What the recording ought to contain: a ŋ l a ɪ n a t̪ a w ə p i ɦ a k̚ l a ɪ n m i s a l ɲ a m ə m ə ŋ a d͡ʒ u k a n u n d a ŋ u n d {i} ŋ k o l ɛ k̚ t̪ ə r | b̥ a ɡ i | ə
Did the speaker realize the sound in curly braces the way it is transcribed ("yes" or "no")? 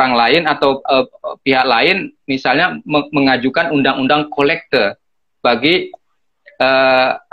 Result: no